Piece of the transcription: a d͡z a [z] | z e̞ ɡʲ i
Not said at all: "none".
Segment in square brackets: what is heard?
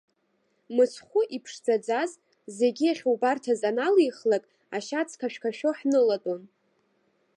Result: z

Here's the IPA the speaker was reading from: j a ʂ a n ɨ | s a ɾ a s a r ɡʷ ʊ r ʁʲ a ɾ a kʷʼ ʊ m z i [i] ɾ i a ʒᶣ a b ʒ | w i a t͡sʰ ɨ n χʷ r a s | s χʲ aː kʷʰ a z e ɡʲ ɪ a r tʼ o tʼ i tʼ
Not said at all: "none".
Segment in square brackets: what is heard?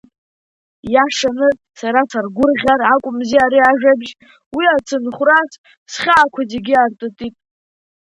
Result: a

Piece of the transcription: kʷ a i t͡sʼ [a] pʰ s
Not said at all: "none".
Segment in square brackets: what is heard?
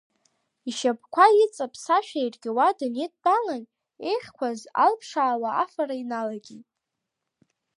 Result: a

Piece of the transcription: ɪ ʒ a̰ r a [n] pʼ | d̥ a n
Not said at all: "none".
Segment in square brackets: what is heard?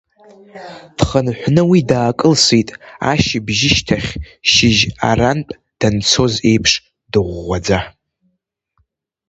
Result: n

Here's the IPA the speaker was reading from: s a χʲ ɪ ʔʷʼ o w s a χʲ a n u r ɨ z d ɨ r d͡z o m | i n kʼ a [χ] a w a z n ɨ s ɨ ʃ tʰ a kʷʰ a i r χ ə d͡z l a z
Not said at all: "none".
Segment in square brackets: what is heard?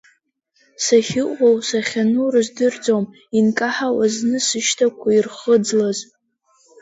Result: ħ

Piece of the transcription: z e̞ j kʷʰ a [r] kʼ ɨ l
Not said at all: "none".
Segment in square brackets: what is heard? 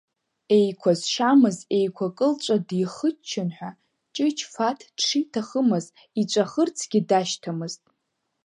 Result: none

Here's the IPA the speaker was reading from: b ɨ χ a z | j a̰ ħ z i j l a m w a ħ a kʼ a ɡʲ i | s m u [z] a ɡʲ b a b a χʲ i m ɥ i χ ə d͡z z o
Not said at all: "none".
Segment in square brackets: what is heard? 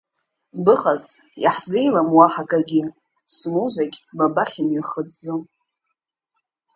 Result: z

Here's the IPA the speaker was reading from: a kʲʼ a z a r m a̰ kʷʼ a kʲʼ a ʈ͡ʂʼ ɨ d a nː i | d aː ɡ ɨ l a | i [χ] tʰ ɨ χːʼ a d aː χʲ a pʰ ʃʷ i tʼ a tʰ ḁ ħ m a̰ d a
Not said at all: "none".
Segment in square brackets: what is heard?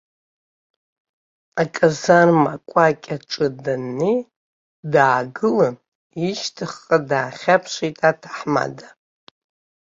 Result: ʃ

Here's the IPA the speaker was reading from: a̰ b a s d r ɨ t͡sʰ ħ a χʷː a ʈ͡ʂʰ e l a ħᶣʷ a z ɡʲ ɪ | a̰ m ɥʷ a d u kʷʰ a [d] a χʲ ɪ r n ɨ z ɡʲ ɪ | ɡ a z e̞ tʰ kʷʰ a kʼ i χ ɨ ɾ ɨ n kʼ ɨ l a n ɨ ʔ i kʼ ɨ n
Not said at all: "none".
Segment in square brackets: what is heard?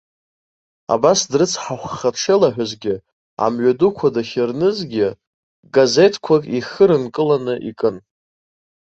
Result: d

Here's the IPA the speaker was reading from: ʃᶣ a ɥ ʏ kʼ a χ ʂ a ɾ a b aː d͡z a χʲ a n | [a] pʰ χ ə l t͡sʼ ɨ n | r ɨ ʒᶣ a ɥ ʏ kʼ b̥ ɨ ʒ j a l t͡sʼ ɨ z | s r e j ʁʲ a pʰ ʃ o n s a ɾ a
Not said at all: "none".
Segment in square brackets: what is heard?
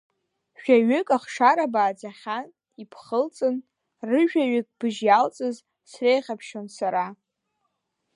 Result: i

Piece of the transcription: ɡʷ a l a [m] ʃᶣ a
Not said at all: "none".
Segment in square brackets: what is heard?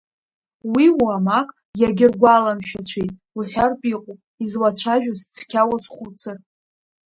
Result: m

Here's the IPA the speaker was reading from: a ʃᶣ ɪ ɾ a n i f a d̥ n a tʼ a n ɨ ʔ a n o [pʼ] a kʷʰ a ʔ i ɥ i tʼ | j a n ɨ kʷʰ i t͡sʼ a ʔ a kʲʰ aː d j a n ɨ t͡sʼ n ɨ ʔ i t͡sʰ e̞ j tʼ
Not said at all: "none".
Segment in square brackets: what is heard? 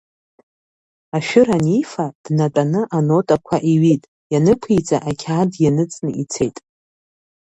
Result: tʼ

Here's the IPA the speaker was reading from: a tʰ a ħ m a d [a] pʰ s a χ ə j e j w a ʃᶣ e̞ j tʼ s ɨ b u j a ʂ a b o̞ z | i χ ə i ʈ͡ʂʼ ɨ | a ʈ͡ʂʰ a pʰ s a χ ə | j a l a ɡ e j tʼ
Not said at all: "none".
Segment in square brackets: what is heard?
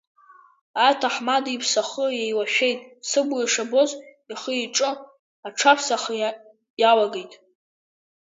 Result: i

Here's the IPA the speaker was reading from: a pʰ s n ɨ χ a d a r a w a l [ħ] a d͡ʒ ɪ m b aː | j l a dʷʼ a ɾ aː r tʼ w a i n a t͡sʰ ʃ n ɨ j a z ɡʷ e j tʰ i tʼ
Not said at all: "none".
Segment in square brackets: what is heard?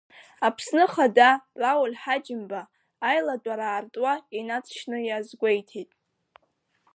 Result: ħ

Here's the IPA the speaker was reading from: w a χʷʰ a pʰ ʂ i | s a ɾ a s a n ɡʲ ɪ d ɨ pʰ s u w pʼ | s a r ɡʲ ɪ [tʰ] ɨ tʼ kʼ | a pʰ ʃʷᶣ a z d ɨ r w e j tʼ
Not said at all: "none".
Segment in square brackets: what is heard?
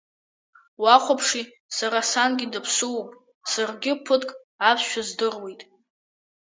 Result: pʰ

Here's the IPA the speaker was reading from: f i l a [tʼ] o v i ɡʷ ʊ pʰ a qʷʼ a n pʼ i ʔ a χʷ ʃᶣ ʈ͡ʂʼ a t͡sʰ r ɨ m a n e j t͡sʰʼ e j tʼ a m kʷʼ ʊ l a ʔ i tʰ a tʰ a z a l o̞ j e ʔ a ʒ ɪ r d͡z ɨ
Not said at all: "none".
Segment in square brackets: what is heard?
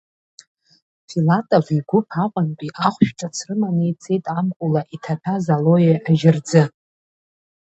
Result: tʼ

